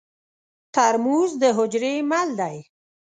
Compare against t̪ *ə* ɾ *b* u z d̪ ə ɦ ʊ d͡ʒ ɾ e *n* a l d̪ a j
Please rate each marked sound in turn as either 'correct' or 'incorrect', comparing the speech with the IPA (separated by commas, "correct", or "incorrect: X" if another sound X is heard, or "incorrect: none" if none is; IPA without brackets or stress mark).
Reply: incorrect: a, incorrect: m, incorrect: m